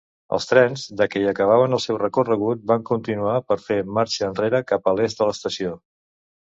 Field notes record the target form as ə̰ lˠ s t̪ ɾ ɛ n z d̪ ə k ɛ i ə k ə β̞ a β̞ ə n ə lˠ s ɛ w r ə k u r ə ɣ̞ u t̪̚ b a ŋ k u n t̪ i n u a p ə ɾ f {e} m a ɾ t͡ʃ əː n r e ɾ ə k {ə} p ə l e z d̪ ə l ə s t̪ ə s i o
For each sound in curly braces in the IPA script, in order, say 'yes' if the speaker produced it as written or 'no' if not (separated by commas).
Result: yes, no